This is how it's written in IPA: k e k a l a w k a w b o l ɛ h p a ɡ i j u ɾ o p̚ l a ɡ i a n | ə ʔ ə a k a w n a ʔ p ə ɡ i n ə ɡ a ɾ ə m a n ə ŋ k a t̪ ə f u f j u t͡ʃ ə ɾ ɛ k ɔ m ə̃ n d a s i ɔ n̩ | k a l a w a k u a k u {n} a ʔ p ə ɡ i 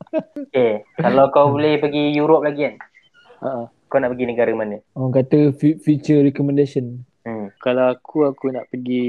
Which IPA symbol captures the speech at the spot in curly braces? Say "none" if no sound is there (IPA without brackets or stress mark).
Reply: n